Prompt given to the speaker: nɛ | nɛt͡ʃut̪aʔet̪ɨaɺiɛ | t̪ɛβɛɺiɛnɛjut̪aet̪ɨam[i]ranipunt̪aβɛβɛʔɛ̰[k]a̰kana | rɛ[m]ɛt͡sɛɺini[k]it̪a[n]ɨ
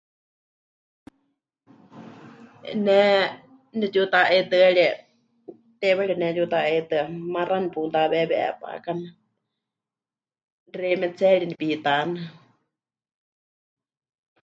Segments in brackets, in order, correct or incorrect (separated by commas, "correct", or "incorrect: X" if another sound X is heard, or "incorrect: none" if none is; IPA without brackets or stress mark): incorrect: a, incorrect: p, correct, incorrect: p, correct